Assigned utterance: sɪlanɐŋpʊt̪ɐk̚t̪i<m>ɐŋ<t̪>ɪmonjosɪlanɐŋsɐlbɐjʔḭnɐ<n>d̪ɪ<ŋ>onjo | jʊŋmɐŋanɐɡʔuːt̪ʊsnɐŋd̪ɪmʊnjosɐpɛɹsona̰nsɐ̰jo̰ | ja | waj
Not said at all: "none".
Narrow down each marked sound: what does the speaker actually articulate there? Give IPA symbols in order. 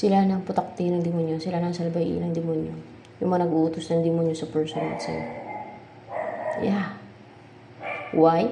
n, d̪, ŋ, m

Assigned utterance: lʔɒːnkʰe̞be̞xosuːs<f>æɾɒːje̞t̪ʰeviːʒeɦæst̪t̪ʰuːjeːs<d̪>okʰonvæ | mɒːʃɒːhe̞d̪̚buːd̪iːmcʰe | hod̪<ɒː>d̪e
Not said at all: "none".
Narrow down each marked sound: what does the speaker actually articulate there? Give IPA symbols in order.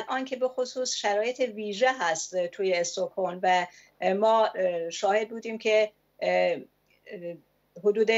ʃ, t̪, uː

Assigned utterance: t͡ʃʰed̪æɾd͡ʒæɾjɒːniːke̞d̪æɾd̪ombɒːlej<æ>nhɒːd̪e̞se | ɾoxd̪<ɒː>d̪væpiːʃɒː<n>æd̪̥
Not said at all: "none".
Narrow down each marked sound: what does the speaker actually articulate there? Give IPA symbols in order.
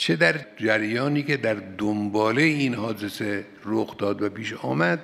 i, ɒː, m

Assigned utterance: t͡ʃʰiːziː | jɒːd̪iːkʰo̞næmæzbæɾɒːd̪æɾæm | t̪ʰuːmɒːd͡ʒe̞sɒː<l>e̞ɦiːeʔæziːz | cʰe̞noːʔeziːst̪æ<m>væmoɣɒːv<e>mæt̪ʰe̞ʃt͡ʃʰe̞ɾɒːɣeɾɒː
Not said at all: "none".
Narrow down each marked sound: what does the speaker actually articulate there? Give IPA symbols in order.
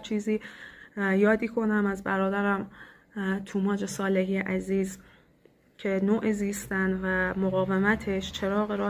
l, n, e

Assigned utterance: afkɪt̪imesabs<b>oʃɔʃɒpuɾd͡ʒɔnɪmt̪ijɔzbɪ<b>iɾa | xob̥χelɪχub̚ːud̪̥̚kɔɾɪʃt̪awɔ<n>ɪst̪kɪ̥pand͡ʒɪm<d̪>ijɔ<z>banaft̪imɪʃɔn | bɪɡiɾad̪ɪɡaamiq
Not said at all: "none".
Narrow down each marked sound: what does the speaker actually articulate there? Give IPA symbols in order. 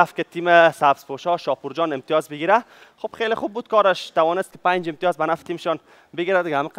p, ɡ, n, t̪, z

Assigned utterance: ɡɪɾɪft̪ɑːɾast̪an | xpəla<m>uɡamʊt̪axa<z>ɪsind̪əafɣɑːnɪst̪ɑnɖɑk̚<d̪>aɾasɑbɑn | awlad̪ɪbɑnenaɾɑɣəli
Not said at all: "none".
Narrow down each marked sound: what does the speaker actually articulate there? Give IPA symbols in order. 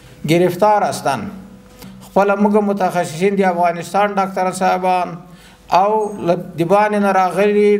m, s, t̪

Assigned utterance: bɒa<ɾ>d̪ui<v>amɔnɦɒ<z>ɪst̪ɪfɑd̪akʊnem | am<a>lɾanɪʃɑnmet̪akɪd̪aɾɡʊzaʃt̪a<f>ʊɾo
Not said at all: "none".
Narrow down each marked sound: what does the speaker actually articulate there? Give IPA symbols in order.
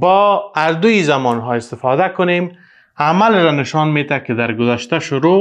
ɾ, z, none, a, ʃ

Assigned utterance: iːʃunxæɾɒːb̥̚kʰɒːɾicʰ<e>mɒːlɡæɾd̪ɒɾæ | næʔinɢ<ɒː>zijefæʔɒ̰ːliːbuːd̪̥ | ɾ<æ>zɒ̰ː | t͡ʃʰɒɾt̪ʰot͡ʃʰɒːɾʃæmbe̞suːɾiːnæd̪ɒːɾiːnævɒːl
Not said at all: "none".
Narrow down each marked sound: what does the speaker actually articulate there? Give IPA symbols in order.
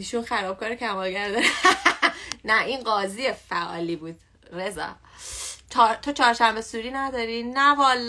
æ, ɒː, e

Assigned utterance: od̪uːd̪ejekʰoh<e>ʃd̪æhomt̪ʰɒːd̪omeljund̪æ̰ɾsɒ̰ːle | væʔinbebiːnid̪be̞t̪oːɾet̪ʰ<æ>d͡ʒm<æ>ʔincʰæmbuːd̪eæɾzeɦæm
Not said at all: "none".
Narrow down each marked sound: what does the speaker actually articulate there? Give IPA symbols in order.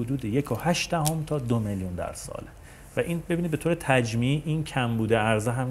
æ, æ, i

